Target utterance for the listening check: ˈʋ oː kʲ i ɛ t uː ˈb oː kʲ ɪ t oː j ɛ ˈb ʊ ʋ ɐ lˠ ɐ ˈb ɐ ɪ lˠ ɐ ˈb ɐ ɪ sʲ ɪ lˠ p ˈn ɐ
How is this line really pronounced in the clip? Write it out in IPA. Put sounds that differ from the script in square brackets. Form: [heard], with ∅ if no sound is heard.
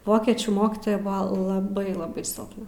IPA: ˈʋ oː kʲ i ɛ [t͡ʃʲ] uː [ˈm] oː kʲ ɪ t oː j ɛ ˈb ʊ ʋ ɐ lˠ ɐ ˈb ɐ ɪ lˠ ɐ ˈb ɐ ɪ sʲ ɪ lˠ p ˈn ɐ

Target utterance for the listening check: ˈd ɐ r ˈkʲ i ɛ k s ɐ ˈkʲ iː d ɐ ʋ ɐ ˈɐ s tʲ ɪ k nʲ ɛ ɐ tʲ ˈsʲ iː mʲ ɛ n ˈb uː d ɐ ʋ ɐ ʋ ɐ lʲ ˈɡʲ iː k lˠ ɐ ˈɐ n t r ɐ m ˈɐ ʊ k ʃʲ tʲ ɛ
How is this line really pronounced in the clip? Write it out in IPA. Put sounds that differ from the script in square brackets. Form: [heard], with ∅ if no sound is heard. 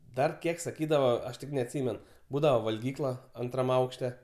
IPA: ˈd ɐ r ˈkʲ i ɛ k s ɐ ˈkʲ iː d ɐ ʋ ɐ ˈɐ [ʃ] tʲ ɪ k nʲ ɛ ɐ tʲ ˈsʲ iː mʲ ɛ n ˈb uː d ɐ ʋ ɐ ʋ ɐ lʲ ˈɡʲ iː k lˠ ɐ ˈɐ n t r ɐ m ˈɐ ʊ k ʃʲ tʲ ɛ

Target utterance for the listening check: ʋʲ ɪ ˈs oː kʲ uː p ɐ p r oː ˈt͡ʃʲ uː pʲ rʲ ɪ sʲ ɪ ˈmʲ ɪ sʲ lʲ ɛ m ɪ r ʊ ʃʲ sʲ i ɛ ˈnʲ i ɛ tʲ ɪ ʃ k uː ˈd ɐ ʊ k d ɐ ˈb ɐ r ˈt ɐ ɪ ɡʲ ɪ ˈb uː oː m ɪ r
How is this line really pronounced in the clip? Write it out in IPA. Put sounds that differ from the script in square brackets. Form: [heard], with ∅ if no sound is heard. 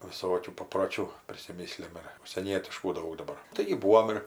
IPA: ʋʲ ɪ ˈs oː kʲ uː p ɐ p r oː ˈt͡ʃʲ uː pʲ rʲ ɪ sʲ ɪ ˈmʲ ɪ sʲ lʲ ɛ m ɪ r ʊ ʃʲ sʲ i ɛ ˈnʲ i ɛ tʲ ɪ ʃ k uː ˈd ɐ ʊ k d ɐ ˈb ɐ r ˈt ɐ ɪ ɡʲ ɪ ˈb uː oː m ɪ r

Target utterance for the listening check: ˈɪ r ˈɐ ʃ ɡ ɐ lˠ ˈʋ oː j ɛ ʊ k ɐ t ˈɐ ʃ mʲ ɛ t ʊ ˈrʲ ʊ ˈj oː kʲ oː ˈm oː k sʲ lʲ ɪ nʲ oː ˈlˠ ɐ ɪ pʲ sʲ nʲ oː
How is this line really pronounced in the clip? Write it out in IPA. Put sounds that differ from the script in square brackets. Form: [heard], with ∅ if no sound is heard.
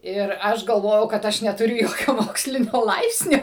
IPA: ˈɪ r ˈɐ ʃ ɡ ɐ lˠ ˈʋ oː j ɛ ʊ k ɐ t ˈɐ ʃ [nʲ] ɛ t ʊ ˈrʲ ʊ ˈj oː kʲ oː ˈm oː k sʲ lʲ ɪ nʲ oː ˈlˠ ɐ ɪ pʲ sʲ nʲ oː

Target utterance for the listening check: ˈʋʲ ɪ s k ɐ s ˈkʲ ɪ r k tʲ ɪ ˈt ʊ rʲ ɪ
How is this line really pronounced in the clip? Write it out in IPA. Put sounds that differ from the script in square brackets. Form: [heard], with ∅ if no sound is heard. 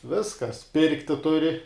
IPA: ˈʋʲ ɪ s k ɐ s [ˈpʲ] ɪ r k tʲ ɪ ˈt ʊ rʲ ɪ

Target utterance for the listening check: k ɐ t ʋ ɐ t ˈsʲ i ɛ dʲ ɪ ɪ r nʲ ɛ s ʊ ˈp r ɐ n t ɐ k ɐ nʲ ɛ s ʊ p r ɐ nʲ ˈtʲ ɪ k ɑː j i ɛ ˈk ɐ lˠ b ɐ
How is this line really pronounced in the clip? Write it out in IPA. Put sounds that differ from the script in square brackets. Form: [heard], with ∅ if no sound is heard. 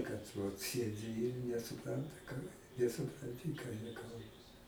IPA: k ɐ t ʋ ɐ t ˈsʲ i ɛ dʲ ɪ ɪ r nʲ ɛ s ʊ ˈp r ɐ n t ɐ k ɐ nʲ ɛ s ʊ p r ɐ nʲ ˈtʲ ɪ k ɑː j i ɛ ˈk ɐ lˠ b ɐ

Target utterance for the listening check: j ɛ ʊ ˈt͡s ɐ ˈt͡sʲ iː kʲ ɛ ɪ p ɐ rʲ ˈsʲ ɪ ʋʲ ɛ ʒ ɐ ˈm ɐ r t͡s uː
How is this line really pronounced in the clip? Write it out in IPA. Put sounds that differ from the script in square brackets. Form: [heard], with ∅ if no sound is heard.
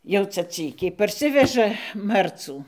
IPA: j ɛ ʊ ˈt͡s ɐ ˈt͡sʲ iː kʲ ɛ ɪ p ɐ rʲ ˈsʲ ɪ ʋʲ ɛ ʒ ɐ ˈm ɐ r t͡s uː

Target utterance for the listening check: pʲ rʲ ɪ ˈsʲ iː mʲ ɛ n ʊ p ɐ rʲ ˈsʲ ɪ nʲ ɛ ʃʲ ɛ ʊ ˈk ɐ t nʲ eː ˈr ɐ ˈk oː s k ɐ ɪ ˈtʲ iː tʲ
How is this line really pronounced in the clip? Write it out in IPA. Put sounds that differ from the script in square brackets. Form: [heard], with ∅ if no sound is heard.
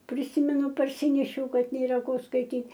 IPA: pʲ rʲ ɪ ˈsʲ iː mʲ ɛ n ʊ p ɐ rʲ ˈsʲ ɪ nʲ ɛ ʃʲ ɛ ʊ ˈk ɐ t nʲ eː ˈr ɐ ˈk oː s k ɐ ɪ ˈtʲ iː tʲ

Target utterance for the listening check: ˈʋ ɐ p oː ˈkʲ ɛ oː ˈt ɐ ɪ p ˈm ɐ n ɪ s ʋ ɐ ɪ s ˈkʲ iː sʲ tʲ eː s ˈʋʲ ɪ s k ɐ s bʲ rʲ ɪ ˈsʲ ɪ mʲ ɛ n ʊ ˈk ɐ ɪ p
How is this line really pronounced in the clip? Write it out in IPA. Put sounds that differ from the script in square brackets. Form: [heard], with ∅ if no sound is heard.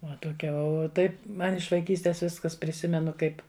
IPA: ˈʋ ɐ [t] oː ˈkʲ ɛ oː ˈt ɐ ɪ p ˈm ɐ n ɪ [ʃ] ʋ ɐ ɪ [∅] ˈkʲ iː sʲ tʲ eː s ˈʋʲ ɪ s k ɐ s [pʲ] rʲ ɪ ˈsʲ ɪ mʲ ɛ n ʊ ˈk ɐ ɪ p

